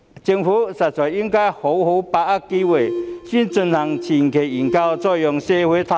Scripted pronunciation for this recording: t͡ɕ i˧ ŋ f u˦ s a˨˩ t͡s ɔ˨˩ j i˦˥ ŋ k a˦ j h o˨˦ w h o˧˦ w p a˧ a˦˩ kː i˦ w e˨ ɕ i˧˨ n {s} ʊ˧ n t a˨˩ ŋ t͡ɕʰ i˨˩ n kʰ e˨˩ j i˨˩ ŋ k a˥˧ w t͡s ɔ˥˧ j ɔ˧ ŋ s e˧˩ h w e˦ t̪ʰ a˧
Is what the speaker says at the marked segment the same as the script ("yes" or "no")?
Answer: no